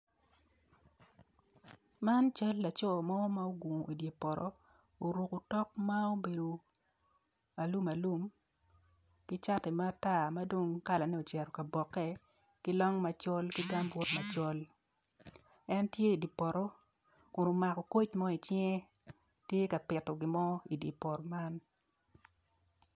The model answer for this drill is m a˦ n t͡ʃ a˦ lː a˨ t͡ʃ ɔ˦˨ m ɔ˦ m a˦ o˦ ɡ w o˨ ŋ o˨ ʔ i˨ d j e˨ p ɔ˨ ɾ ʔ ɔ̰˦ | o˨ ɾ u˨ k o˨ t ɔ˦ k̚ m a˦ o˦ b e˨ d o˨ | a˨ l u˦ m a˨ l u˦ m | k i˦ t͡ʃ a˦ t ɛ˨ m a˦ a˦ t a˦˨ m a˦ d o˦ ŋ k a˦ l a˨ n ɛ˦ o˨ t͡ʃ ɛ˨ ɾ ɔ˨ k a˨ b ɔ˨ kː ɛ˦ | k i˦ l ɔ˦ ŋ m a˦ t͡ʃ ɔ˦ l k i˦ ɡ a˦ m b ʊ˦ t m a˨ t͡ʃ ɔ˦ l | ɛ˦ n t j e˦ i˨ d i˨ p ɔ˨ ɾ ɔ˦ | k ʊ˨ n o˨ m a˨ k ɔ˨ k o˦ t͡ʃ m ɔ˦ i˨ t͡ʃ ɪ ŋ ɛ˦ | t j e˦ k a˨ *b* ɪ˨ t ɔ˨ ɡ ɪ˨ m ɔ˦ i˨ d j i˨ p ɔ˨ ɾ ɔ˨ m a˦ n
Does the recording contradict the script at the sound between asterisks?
yes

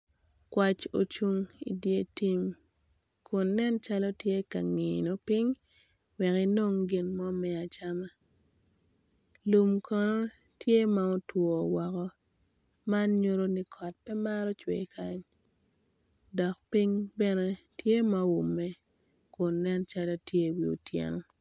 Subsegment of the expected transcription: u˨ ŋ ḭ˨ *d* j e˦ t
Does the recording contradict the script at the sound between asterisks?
no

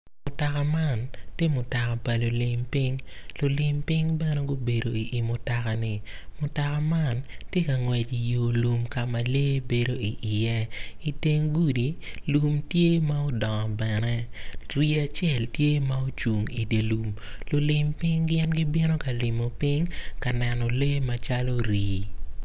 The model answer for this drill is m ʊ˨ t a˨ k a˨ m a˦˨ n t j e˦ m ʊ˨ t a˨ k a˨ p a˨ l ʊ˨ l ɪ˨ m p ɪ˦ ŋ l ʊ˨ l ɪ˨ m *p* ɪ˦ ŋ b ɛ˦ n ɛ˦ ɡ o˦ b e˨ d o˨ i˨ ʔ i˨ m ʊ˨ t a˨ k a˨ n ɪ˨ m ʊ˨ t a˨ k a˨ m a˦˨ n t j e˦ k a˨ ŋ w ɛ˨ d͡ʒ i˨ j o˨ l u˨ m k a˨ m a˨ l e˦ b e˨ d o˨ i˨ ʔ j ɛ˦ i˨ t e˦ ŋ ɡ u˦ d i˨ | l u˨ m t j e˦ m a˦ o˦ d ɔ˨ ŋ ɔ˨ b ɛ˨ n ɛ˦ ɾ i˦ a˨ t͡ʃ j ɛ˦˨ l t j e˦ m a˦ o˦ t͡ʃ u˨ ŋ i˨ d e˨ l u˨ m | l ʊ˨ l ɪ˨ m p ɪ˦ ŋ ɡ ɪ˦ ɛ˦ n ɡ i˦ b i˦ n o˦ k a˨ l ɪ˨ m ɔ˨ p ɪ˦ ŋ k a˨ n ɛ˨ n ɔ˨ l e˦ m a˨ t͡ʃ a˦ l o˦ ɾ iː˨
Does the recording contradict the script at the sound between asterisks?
no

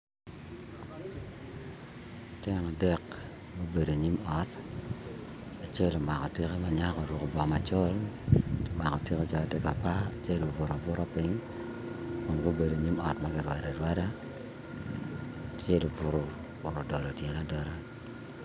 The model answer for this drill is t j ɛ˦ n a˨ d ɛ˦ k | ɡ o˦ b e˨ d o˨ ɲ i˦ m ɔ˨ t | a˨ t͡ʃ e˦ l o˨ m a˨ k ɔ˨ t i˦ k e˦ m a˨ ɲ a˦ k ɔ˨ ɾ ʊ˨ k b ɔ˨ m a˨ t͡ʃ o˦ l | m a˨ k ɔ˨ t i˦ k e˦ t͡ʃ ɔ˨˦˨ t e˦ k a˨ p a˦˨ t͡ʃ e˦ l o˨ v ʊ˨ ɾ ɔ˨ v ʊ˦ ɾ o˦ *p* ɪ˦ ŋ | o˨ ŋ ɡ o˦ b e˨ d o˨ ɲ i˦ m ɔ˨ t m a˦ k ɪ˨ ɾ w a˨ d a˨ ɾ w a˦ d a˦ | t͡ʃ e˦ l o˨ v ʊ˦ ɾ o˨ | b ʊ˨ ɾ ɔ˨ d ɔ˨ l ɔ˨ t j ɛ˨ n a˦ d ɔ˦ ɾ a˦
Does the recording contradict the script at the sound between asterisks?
no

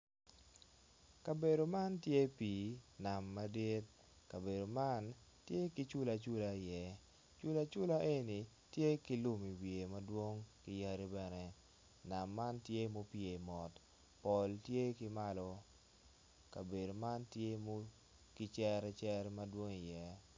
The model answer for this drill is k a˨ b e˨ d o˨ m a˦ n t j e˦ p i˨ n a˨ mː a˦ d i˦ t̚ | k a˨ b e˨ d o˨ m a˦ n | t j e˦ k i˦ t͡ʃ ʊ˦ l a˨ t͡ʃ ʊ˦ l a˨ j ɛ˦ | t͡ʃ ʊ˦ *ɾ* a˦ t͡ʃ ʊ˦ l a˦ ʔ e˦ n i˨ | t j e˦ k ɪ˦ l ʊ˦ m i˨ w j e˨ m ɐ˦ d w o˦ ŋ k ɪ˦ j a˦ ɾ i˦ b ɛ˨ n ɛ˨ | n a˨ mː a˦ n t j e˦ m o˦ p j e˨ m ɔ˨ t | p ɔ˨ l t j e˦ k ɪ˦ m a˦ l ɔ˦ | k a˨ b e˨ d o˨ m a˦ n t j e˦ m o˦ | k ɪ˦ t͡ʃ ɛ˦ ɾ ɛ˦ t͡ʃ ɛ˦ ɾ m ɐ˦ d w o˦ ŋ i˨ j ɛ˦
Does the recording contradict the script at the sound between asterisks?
yes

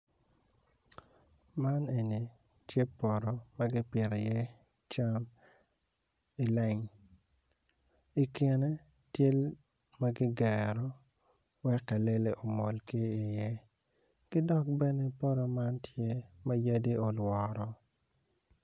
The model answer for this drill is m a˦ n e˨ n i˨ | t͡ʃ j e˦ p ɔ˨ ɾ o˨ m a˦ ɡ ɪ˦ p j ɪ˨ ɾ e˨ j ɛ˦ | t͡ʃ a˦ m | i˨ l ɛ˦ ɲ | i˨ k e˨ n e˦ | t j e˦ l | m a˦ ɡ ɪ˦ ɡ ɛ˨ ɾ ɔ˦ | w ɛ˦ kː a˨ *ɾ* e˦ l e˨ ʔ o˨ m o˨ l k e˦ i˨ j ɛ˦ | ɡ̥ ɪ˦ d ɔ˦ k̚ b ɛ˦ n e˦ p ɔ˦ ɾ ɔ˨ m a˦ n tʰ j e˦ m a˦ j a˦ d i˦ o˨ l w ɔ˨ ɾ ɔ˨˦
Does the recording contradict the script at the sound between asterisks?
yes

